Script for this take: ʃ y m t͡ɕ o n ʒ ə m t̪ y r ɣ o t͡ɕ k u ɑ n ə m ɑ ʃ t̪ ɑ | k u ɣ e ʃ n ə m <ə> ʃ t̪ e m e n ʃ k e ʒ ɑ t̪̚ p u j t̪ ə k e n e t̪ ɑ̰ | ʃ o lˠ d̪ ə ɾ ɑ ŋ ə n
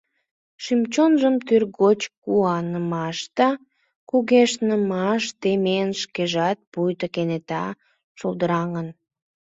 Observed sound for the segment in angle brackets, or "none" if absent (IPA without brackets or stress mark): ɑ